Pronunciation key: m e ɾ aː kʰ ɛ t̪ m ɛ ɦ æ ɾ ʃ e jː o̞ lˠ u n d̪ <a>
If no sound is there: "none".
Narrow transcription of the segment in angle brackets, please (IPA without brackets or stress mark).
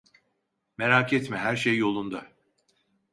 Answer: a